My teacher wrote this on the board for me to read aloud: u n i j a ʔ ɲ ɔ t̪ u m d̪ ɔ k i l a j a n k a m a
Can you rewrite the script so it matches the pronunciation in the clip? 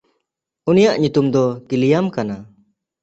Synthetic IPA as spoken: u n i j a ʔ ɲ u t̪ u m d̪ ɔ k i l i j a m k a n a